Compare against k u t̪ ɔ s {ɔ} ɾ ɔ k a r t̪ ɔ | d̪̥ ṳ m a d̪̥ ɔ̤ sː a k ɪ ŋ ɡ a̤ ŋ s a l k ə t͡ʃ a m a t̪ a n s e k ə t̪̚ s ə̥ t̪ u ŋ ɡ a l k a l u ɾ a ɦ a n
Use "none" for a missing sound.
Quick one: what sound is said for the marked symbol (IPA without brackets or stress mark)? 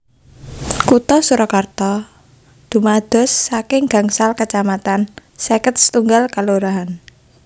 u